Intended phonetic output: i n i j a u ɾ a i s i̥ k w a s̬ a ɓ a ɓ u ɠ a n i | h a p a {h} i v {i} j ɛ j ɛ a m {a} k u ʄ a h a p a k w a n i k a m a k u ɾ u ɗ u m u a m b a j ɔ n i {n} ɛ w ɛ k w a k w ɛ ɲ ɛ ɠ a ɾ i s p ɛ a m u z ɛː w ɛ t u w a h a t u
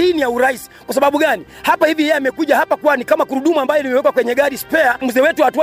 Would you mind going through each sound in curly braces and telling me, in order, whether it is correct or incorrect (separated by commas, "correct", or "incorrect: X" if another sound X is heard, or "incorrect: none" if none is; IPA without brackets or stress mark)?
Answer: correct, correct, incorrect: ɛ, incorrect: m